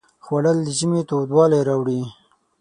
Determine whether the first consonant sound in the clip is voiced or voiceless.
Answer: voiceless